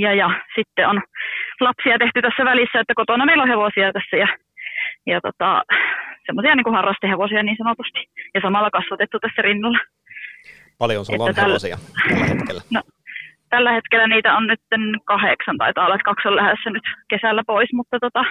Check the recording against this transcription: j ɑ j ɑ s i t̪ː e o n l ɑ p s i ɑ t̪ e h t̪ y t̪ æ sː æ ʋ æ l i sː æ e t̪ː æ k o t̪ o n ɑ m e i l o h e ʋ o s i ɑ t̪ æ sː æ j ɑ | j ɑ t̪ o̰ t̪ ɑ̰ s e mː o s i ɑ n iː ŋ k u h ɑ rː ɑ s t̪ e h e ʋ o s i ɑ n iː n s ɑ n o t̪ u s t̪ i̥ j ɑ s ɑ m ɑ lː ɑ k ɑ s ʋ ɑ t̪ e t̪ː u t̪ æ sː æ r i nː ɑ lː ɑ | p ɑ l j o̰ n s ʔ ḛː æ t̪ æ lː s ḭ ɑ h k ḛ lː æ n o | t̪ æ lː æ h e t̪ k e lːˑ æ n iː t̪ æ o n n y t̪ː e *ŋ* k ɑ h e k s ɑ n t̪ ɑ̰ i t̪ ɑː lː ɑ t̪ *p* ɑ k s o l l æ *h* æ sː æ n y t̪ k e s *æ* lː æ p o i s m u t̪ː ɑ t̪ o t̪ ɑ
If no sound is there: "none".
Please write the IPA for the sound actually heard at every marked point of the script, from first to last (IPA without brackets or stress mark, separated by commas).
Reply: n, k, h, æ